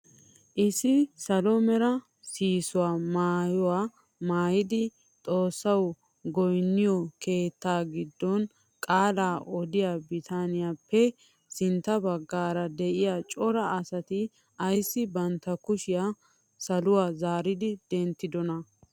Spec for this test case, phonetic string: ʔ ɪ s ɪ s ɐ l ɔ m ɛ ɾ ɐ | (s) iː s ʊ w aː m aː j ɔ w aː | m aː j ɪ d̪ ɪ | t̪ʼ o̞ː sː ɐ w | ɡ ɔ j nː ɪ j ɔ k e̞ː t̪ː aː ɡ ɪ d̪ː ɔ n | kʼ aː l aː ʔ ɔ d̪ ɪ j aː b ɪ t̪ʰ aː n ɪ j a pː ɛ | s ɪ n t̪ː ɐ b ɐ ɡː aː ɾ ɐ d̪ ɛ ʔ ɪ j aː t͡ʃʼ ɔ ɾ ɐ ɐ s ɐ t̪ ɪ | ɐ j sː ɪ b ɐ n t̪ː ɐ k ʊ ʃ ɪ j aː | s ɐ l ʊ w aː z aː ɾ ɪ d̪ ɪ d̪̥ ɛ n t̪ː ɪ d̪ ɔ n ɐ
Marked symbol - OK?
yes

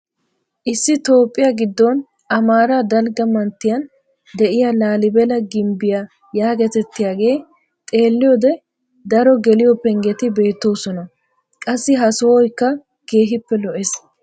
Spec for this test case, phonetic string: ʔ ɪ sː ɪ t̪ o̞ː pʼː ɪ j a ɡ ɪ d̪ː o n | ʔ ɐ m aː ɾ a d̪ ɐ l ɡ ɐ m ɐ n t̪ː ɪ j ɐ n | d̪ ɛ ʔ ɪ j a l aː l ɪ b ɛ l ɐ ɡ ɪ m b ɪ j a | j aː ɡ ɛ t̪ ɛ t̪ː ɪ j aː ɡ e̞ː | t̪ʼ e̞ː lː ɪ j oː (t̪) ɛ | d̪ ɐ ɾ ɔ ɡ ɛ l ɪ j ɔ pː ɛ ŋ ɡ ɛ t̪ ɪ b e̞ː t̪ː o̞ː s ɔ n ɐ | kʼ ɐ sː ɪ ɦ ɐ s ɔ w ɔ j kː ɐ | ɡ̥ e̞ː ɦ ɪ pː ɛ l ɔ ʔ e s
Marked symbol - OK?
no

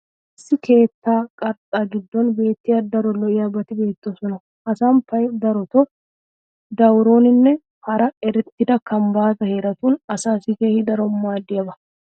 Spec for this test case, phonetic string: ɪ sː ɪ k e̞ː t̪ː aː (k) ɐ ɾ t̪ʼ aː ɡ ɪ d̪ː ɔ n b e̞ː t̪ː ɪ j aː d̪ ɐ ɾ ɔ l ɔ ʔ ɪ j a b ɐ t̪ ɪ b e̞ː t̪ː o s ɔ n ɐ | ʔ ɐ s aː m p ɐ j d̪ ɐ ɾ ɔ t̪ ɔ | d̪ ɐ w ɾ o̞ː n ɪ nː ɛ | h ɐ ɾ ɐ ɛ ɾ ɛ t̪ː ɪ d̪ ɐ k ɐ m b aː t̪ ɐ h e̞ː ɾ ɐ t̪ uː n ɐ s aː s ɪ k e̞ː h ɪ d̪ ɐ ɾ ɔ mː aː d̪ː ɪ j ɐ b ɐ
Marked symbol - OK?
no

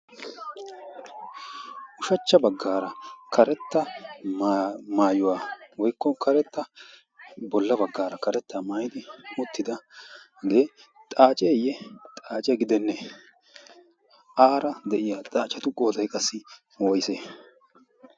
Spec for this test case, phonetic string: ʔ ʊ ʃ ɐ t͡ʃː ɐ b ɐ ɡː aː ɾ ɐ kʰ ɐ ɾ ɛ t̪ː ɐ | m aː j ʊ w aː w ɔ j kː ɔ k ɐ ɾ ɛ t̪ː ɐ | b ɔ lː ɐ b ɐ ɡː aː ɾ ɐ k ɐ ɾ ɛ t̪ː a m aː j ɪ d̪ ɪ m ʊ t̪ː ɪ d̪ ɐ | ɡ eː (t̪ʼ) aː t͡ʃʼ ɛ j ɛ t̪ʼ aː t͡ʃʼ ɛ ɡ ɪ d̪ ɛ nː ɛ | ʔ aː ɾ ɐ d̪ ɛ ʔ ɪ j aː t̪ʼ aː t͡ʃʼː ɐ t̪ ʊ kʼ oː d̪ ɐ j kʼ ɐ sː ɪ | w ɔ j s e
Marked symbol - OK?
yes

